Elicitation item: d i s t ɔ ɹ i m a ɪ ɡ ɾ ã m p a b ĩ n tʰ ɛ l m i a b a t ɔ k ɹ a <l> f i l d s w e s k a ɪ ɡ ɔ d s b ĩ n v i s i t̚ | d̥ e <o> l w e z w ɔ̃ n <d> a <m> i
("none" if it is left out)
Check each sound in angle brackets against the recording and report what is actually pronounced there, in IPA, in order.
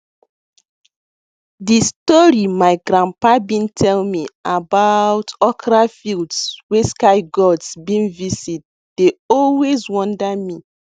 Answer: none, ɔ, d, m

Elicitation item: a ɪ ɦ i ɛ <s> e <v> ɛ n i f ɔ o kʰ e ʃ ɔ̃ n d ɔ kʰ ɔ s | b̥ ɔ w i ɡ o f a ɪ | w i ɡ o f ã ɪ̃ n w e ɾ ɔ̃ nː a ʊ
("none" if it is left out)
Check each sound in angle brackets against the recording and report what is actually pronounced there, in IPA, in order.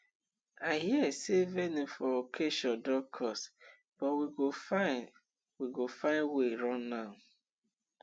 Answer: s, v

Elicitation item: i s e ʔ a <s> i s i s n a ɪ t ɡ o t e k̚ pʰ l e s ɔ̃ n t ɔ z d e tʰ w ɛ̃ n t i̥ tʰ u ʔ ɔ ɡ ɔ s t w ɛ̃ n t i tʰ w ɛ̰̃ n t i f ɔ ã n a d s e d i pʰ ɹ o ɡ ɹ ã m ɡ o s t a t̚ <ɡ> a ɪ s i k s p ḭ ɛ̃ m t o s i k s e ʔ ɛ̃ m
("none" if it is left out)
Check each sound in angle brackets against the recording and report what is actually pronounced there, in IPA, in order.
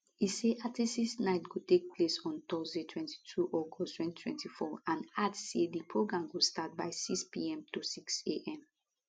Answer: t, b

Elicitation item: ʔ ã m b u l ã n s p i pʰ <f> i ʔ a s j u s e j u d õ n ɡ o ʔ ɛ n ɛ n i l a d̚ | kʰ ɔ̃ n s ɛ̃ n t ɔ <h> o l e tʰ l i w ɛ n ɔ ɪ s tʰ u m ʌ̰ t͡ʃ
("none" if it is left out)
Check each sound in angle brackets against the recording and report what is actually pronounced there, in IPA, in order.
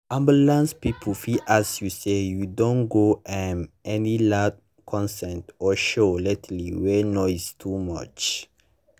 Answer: f, ʃ

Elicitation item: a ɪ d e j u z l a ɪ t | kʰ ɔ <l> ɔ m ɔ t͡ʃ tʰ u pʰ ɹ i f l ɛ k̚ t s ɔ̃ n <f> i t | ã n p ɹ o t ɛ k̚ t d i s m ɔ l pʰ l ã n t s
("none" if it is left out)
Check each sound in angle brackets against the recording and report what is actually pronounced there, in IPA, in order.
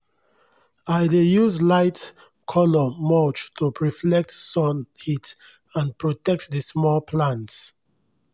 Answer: l, h

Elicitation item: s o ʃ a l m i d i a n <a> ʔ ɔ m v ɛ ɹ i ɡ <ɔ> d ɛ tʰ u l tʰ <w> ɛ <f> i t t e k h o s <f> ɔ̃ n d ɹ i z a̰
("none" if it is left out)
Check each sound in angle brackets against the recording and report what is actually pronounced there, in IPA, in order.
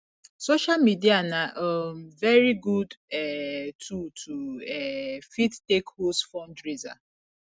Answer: a, u, u, f, f

